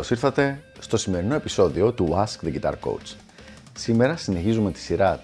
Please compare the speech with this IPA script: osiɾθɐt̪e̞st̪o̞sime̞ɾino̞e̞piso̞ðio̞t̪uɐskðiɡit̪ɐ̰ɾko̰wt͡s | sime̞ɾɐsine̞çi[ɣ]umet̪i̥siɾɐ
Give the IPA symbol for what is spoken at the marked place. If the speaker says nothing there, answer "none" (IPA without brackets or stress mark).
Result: z